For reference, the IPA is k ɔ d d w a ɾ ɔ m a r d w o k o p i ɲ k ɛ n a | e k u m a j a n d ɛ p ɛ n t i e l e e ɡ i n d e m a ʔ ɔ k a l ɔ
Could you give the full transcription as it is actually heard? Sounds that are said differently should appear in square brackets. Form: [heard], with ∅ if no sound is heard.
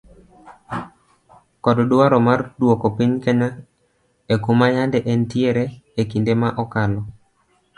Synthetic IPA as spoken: k ɔ d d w a ɾ ɔ m a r d w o k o p i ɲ k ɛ [ɲ] a | e k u m a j a n d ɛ [ʔ] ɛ n t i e [ɾ] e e [k] i n d e m a ʔ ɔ k a l ɔ